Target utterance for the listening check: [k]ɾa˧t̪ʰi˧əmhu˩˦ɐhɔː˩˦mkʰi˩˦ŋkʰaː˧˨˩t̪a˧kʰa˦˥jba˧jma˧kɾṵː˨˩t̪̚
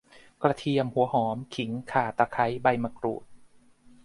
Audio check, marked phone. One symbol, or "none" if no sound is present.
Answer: k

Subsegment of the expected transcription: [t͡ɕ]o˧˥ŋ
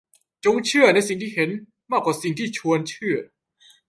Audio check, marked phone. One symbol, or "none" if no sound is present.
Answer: t͡ɕ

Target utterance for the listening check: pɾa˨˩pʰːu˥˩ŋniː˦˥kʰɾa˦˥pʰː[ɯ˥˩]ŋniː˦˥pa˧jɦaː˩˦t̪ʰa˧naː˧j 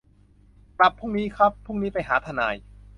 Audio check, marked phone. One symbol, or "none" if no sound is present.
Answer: u˥˩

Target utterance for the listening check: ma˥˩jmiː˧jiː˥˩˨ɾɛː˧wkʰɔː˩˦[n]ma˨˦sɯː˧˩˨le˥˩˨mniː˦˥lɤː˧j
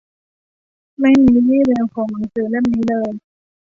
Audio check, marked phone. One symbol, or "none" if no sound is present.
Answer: ŋ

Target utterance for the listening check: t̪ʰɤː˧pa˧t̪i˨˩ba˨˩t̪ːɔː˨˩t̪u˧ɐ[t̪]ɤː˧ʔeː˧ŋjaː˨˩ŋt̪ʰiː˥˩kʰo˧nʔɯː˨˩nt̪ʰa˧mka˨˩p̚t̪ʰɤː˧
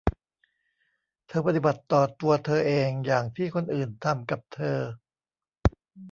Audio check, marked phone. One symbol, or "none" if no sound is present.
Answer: t̪ʰ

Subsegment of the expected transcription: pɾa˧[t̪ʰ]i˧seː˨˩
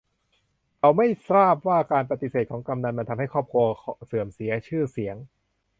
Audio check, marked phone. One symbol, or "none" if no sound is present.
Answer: t̪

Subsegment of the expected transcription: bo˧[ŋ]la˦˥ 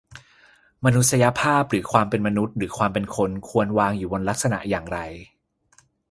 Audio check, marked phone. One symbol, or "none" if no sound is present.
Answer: n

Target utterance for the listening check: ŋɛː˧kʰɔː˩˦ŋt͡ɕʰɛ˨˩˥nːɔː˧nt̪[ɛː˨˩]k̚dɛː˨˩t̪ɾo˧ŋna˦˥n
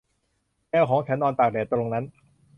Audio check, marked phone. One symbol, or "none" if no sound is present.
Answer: aː˨˩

